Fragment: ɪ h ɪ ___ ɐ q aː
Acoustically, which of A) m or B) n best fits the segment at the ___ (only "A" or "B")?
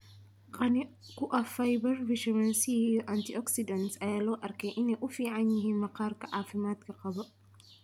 A